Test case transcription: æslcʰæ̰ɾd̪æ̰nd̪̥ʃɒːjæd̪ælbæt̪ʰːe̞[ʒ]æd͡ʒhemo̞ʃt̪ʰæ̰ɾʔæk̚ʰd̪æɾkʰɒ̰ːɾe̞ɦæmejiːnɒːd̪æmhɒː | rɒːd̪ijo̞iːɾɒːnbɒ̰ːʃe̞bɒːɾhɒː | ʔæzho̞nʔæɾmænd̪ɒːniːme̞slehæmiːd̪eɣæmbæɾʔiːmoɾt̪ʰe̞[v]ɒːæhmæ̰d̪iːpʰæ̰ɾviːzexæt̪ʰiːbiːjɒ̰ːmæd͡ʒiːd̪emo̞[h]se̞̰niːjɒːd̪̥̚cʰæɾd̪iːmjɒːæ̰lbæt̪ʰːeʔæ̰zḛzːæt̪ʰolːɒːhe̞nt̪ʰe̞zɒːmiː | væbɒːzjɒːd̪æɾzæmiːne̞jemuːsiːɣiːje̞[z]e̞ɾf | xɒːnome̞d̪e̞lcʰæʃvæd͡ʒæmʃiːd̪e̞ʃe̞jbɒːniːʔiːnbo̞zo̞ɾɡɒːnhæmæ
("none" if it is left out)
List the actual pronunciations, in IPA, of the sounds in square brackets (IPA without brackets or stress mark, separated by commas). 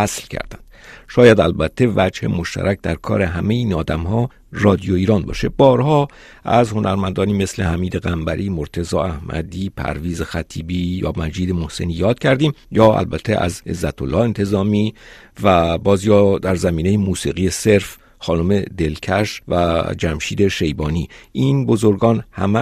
v, z, h, s